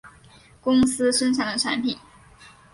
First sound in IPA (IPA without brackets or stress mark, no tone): k